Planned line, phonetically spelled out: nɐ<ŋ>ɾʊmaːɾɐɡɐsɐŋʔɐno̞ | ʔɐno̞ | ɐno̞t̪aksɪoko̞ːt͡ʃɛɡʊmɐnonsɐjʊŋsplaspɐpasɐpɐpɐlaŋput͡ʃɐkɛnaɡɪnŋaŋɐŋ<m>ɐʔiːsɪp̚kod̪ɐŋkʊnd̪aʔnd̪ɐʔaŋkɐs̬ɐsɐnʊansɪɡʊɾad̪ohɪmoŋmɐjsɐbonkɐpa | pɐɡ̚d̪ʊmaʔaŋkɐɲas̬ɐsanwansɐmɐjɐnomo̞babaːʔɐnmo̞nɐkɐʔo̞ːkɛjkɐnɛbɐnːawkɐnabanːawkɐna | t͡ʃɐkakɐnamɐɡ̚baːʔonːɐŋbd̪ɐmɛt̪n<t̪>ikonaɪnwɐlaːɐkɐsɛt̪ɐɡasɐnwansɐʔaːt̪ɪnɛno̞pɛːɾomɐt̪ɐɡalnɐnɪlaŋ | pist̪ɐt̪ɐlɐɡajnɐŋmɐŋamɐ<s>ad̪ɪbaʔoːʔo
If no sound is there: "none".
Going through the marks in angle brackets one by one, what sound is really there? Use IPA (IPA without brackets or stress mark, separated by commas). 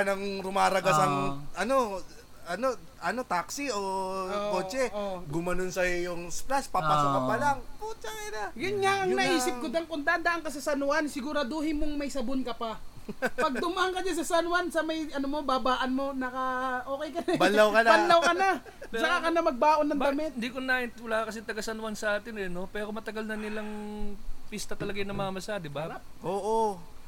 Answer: ŋ, n, d̪, s